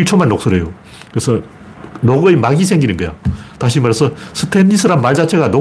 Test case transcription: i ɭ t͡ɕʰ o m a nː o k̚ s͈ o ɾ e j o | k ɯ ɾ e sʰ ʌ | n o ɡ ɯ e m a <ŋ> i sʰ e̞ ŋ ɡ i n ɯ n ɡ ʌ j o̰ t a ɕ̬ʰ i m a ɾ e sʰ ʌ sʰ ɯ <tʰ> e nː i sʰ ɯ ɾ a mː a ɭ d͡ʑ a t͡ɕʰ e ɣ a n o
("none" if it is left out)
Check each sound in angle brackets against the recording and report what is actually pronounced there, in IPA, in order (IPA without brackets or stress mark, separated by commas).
ɡ, tʰ